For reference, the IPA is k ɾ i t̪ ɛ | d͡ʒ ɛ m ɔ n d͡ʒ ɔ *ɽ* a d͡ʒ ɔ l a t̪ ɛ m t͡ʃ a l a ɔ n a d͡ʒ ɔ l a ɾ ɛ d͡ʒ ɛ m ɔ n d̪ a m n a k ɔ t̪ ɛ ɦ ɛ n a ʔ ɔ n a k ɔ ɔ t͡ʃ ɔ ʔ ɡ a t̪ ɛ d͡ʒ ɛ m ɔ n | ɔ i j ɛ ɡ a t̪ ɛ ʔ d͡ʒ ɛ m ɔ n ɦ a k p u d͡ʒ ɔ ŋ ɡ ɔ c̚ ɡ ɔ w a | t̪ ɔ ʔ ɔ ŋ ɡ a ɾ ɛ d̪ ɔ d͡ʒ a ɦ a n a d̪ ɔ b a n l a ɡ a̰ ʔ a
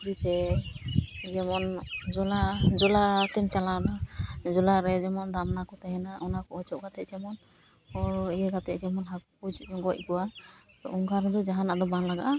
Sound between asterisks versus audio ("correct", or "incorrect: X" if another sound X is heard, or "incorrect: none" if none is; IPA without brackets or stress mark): incorrect: l